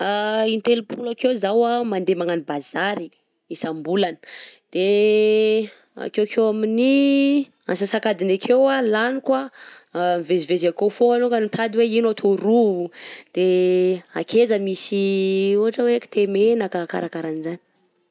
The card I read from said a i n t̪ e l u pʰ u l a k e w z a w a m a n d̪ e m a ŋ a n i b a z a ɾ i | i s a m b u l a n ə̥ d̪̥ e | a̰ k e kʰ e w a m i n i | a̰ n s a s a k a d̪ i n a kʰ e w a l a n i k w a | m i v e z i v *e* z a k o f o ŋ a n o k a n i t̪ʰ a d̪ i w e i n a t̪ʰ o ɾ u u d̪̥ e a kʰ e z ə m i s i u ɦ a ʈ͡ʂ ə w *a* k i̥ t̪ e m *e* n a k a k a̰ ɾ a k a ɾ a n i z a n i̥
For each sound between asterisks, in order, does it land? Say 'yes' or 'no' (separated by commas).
yes, no, yes